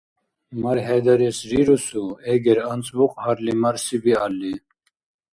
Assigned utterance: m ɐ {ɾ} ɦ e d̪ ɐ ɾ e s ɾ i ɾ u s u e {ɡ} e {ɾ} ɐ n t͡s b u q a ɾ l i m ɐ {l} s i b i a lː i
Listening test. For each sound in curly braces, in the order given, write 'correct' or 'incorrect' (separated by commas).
correct, correct, correct, incorrect